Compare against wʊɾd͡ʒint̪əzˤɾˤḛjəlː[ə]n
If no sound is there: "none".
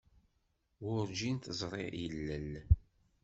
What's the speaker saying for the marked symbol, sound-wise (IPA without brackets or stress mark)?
ə